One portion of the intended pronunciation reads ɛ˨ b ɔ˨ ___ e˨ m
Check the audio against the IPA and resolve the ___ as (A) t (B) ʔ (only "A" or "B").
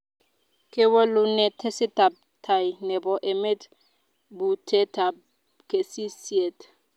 B